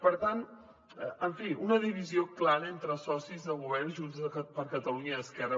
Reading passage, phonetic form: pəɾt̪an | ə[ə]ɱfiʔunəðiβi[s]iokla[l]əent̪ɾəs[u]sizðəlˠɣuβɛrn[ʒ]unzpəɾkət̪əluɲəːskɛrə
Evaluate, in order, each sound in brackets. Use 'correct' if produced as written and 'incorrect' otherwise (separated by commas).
correct, incorrect, incorrect, incorrect, correct